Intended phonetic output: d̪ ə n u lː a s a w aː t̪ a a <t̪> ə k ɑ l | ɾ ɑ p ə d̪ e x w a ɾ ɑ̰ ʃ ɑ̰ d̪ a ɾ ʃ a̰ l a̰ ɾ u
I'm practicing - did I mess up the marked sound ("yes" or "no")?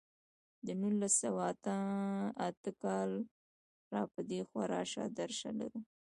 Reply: no